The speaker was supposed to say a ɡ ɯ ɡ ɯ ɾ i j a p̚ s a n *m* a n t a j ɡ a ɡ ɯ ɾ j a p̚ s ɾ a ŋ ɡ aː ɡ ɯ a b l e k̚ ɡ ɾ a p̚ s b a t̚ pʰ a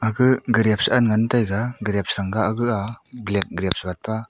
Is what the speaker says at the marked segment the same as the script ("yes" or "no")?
no